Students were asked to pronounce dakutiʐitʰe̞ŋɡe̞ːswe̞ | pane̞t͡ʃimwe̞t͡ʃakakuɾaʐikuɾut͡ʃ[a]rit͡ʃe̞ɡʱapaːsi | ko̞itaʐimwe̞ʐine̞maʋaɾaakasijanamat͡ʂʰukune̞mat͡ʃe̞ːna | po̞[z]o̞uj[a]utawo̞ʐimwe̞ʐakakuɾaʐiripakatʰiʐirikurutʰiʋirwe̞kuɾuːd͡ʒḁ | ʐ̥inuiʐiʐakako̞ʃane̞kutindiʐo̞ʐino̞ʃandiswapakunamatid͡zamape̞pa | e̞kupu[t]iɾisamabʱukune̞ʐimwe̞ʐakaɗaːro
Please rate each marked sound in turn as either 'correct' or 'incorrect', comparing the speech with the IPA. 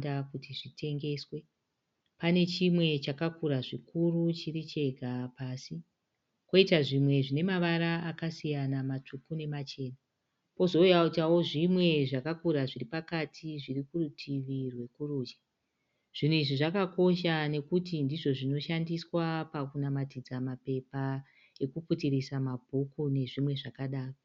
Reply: incorrect: i, correct, correct, correct

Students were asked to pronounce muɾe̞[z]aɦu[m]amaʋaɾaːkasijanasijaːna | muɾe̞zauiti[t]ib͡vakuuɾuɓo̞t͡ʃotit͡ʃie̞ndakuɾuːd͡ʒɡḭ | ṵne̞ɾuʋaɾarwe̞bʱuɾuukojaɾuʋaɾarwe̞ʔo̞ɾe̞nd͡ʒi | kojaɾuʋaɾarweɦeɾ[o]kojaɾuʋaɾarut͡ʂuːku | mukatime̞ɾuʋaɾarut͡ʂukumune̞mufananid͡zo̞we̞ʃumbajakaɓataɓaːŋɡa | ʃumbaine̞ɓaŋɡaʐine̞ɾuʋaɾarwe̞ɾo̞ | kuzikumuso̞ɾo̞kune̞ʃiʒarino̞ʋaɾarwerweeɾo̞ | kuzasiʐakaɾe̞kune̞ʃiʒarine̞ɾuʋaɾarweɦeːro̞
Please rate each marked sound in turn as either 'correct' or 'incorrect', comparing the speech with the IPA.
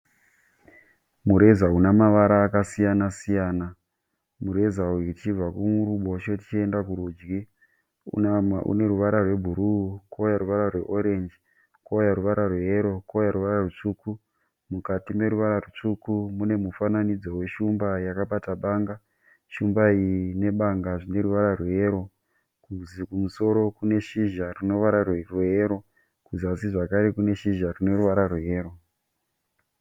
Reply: correct, incorrect: n, incorrect: t͡ʃ, correct

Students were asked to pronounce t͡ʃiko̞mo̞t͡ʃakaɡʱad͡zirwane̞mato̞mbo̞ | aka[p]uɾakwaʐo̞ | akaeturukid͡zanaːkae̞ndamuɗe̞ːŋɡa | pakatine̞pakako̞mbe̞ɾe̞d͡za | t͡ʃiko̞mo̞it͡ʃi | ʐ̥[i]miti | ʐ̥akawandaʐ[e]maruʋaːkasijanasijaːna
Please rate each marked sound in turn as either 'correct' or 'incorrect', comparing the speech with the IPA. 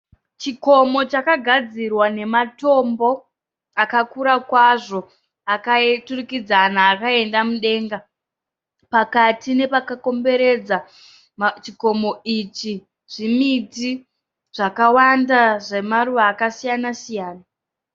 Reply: incorrect: k, correct, correct

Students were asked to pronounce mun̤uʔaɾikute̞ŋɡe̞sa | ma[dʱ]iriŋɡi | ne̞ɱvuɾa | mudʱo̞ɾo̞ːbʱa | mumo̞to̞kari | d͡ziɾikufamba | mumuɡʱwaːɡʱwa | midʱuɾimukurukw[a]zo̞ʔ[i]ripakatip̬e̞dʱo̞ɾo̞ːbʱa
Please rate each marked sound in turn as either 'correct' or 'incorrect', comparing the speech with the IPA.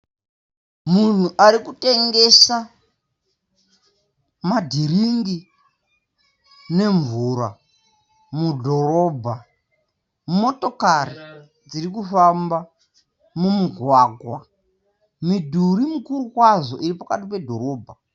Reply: correct, correct, correct

